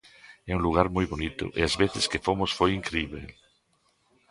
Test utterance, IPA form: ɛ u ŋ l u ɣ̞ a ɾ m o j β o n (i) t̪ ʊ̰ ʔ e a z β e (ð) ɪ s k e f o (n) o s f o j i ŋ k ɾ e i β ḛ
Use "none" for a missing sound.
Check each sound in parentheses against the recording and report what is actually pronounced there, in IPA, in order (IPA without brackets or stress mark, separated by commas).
i, θ, m